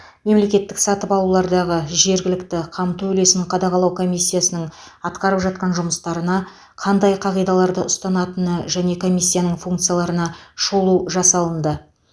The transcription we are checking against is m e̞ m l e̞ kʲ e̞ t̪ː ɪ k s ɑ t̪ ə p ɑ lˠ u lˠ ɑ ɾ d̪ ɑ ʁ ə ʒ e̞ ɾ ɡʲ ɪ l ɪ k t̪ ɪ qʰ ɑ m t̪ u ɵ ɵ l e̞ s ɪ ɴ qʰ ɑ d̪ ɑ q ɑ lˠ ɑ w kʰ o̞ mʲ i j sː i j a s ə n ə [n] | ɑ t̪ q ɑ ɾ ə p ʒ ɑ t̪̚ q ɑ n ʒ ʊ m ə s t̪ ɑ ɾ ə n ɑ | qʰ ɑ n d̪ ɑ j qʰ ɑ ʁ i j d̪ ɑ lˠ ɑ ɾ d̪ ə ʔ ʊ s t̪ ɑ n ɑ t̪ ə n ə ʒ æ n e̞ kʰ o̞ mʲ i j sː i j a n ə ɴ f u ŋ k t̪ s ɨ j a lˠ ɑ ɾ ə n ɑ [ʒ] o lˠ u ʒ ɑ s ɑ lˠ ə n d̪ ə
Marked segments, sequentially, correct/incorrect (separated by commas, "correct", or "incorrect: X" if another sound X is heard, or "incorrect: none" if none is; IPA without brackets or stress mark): incorrect: ɴ, incorrect: ʃ